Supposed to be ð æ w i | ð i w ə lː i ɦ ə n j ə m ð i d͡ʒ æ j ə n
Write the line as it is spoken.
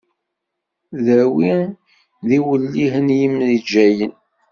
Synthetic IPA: ð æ w i | ð i w ə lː i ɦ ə n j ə m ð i d͡ʒ æ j ə n